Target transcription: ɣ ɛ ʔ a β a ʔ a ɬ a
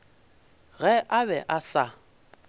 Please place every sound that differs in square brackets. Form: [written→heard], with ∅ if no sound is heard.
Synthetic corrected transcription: ɣ ɛ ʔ a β [a→ɛ] ʔ a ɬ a

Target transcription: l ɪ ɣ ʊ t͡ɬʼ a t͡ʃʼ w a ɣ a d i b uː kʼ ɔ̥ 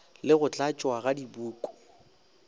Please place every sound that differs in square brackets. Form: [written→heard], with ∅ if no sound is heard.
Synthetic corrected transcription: l ɪ ɣ ʊ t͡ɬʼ a t͡ʃʼ w a ɣ a d i b uː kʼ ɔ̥

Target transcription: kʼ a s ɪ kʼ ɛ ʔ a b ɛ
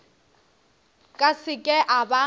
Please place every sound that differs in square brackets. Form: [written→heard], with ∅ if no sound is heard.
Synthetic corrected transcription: kʼ a s ɪ kʼ ɛ ʔ a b [ɛ→a]

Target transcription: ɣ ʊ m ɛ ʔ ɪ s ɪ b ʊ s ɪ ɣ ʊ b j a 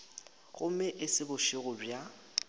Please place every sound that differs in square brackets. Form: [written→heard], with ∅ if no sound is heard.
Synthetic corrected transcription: ɣ ʊ m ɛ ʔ ɪ s ɪ b ʊ [s→ʃ] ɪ ɣ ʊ b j a

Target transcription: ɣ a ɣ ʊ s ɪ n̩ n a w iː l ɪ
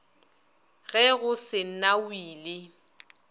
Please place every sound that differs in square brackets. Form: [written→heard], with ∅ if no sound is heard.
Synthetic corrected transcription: ɣ [a→ɛ] ɣ ʊ s ɪ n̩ n a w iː l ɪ

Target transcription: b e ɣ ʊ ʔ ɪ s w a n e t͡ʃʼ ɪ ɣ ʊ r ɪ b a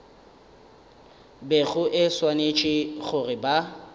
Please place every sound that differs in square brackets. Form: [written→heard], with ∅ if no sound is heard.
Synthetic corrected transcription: b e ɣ ʊ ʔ ɪ s w a n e t͡ʃʼ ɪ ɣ ʊ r ɪ b a

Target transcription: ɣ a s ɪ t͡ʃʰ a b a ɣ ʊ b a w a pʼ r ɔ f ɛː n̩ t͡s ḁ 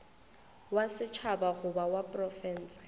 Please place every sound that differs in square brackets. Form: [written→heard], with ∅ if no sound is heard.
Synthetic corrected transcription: [ɣ→w] a s ɪ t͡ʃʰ a b a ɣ ʊ b a w a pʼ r ɔ f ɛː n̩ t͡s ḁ

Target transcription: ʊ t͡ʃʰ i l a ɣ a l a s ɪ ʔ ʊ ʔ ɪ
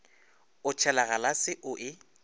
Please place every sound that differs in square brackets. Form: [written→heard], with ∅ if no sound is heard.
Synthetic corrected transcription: ʊ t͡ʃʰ [i→ɛ] l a ɣ a l a s ɪ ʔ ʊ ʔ ɪ

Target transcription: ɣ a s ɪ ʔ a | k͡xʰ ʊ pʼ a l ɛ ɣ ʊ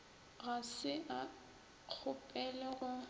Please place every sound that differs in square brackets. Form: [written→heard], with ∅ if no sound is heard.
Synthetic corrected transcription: ɣ a s ɪ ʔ a | k͡xʰ ʊ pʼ [a→ɛ] l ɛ ɣ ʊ

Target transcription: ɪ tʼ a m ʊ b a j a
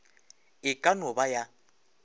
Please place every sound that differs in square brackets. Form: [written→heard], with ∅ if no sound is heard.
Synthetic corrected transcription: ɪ [tʼ→kʼ] a [m→n] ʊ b a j a

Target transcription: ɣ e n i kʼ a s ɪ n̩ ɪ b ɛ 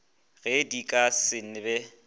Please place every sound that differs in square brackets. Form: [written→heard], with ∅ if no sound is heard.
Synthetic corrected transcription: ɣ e [n→d] i kʼ a s ɪ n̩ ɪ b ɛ

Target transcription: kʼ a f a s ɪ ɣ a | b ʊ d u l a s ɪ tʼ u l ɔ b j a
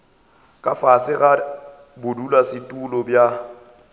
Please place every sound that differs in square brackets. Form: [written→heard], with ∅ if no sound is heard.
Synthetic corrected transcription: kʼ a f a s ɪ ɣ a | b ʊ d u l a s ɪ tʼ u l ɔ b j a

